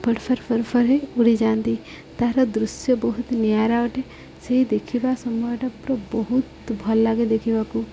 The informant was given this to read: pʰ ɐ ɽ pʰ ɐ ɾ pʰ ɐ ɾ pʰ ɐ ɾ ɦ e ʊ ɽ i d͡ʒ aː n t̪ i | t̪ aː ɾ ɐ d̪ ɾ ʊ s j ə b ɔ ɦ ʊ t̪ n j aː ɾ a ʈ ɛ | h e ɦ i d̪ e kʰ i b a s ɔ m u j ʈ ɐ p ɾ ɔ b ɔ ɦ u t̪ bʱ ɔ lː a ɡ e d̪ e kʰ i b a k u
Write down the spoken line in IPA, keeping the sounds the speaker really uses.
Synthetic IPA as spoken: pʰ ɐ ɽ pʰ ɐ ɾ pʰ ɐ ɾ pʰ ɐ ɾ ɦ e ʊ ɽ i d͡ʒ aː n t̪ i | t̪ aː ɾ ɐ d̪ ɾ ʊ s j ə b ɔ ɦ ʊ t̪ n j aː ɾ a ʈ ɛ | s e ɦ i d̪ e kʰ i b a s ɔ m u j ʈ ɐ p ɾ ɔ b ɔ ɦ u t̪ bʱ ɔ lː a ɡ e d̪ e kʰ i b a k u